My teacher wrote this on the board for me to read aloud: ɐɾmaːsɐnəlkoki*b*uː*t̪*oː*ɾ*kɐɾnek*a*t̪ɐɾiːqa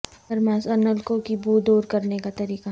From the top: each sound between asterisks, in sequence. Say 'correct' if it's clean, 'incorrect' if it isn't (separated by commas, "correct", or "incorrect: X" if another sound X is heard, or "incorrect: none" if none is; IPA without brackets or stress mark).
correct, incorrect: d̪, correct, correct